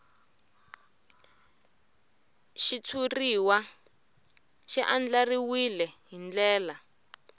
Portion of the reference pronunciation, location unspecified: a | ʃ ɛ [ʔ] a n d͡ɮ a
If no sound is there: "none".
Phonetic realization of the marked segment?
ʔ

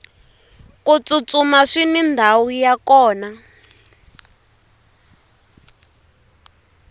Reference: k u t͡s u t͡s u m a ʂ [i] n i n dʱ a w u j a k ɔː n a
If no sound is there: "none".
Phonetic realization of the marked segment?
i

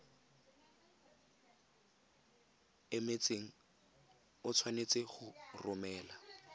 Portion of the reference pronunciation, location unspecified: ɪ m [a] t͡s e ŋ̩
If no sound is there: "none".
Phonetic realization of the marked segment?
e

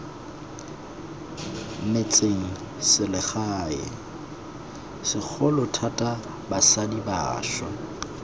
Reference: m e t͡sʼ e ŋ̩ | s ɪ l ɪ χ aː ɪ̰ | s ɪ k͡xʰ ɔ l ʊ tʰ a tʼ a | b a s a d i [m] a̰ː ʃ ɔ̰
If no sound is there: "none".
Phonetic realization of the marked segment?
b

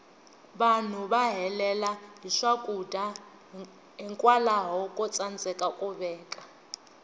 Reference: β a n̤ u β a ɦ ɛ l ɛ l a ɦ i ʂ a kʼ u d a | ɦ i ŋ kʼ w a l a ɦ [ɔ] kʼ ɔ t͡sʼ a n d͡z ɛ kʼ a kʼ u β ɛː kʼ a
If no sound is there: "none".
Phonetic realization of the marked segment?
ɔ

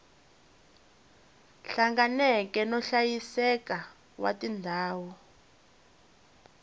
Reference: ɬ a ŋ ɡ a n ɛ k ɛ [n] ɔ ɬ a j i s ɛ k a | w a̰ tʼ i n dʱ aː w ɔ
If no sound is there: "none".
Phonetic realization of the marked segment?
n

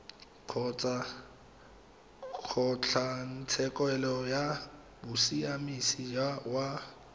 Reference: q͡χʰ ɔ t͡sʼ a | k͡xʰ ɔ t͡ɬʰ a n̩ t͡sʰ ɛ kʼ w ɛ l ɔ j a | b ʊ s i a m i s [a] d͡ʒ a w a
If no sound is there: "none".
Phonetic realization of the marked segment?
i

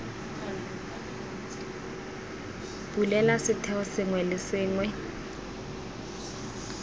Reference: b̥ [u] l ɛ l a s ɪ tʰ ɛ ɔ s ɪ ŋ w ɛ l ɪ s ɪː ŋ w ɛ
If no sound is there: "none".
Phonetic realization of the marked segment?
u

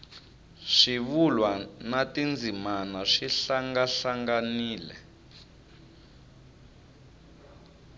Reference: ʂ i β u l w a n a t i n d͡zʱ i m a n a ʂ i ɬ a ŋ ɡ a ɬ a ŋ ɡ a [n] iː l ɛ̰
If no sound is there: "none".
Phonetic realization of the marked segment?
n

